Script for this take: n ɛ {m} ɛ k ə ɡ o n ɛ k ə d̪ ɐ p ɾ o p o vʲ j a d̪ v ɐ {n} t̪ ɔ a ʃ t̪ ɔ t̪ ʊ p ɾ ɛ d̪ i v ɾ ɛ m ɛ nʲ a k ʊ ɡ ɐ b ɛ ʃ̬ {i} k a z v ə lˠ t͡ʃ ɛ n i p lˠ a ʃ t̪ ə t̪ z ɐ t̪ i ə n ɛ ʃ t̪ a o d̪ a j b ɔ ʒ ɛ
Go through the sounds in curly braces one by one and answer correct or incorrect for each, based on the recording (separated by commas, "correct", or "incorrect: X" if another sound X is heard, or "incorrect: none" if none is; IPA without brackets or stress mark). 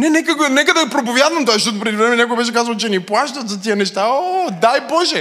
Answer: incorrect: n, incorrect: m, incorrect: ɛ